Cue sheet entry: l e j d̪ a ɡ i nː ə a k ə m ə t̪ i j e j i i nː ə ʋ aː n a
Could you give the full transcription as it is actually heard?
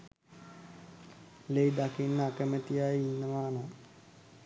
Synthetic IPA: l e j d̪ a k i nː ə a k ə m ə t̪ i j a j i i nː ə ʋ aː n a